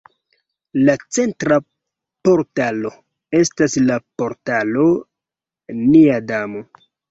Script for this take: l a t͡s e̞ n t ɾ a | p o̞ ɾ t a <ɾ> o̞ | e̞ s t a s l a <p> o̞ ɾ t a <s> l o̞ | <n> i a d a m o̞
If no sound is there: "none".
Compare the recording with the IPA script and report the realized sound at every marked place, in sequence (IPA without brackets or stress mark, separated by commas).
l, p, none, n